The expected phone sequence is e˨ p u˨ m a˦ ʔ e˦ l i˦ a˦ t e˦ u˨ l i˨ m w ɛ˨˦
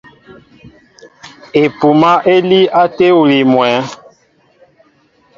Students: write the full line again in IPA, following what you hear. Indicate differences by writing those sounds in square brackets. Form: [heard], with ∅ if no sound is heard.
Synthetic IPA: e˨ p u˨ m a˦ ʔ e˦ l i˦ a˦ t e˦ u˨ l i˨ m w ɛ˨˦